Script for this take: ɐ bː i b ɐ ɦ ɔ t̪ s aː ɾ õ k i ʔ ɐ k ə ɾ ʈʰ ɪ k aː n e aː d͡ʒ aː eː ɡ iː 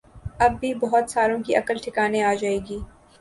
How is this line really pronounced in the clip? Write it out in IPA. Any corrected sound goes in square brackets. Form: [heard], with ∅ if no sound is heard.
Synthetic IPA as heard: ɐ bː i b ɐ ɦ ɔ t̪ s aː ɾ õ k i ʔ ɐ k ə [l] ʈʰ ɪ k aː n e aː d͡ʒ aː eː ɡ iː